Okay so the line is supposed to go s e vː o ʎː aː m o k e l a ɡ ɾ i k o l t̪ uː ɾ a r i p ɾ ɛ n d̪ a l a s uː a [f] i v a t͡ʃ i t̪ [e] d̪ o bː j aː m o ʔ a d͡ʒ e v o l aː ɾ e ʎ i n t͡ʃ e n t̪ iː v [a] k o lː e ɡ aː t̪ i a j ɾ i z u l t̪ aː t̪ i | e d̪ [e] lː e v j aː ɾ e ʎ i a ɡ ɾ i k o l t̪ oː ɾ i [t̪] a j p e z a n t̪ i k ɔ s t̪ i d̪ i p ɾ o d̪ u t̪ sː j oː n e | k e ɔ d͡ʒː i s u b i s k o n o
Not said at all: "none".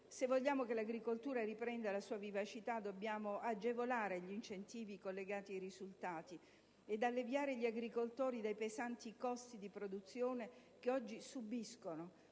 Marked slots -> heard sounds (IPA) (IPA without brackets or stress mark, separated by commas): v, a, i, a, d̪